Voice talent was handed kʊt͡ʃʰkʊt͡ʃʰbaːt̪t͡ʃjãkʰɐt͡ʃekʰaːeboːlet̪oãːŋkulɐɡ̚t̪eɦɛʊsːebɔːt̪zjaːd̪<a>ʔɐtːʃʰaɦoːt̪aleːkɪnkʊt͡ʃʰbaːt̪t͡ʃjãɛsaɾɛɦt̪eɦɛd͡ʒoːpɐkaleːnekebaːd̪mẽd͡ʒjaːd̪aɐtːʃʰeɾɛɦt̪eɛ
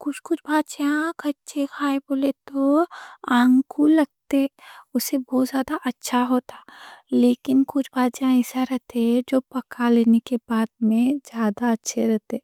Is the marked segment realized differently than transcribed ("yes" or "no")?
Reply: no